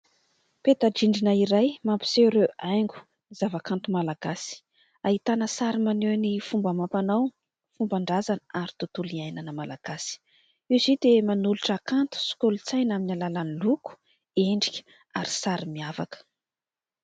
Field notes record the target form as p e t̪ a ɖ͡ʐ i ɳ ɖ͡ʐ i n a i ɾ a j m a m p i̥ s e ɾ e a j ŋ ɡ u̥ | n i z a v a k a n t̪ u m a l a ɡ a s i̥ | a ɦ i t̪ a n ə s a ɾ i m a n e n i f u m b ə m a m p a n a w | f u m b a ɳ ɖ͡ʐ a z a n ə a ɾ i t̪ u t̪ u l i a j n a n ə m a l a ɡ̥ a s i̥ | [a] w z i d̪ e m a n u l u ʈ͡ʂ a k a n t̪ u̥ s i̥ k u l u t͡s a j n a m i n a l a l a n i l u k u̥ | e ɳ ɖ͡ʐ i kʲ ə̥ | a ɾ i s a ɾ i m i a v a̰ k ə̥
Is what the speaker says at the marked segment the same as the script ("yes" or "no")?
no